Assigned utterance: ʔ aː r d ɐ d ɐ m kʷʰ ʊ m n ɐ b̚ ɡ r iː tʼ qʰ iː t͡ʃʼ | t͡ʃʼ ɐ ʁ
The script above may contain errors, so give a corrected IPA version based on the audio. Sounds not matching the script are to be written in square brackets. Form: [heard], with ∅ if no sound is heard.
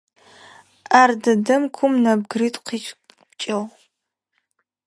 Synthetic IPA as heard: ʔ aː r d ɐ d ɐ m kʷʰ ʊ m n ɐ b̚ ɡ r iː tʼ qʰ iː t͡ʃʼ | t͡ʃʼ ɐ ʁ